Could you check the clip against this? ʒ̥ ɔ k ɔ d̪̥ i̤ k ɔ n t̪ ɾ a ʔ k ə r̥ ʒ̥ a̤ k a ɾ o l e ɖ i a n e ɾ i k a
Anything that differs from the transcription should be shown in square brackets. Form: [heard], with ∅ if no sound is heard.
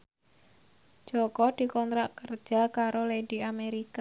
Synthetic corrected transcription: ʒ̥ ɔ k ɔ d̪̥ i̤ k ɔ n t̪ ɾ a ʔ k ə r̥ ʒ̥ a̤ k a ɾ o l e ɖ i a [m] e ɾ i k a

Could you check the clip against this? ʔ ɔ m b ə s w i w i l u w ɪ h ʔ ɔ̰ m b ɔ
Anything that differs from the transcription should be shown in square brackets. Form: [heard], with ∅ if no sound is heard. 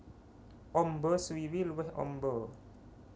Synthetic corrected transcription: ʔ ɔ m b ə s w i w i l u w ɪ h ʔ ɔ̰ m b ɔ

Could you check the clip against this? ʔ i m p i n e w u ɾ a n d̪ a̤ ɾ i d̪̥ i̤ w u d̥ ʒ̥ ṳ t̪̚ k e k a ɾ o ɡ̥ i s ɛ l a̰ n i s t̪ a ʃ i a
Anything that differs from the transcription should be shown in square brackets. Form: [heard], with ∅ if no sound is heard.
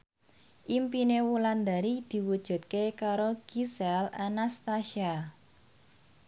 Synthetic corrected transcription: ʔ i m p i n e w u [l] a n d̪ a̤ ɾ i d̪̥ i̤ w u d̥ ʒ̥ ṳ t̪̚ k e k a ɾ o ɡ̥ i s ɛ l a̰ n [a] s t̪ a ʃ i a

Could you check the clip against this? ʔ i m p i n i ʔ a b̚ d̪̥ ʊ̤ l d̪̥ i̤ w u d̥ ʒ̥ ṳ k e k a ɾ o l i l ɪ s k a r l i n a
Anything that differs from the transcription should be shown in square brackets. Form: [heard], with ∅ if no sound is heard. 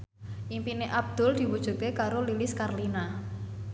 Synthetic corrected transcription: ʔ i m p i n [e] ʔ a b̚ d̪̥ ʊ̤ l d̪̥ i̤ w u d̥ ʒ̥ ṳ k e k a ɾ o l i l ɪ s k a r l i n a

